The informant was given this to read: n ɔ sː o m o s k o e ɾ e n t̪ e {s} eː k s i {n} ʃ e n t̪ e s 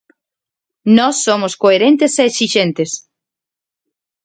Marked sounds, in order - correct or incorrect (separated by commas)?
correct, incorrect